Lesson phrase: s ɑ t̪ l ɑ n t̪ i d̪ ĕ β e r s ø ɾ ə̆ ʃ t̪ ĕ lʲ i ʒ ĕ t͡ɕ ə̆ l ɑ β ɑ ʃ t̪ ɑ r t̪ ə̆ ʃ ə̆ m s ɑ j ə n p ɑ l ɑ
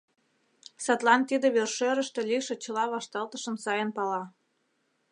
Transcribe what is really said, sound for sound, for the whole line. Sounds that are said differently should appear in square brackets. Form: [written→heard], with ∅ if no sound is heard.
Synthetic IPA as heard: s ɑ t̪ l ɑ n t̪ i d̪ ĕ β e r [s→ʃ] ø ɾ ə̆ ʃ t̪ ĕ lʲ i [ʒ→ʃ] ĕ t͡ɕ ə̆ l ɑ β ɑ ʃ t̪ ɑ [r→l] t̪ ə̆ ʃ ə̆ m s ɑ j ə n p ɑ l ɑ